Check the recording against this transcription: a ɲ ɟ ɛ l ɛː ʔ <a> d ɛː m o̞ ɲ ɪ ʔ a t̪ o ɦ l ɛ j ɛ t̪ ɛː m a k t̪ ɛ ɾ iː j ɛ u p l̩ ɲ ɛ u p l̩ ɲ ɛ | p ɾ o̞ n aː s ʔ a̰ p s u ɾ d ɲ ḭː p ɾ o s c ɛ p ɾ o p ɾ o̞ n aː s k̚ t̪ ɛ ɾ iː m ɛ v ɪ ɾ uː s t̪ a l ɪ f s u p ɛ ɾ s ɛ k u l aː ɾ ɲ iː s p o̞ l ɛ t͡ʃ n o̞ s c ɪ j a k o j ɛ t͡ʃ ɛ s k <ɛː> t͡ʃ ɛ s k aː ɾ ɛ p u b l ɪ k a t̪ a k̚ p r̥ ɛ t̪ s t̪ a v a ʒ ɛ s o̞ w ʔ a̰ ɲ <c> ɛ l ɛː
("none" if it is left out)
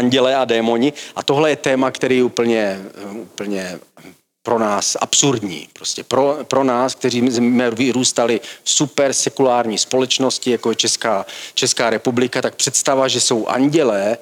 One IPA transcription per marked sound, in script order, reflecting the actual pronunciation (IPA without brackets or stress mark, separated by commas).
a, aː, ɟ